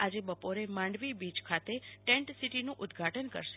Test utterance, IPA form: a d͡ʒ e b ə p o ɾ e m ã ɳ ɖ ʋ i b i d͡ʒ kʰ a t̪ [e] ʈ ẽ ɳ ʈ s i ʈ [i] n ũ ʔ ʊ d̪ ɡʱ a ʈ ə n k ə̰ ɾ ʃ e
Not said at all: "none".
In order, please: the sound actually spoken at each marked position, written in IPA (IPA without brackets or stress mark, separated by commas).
e, i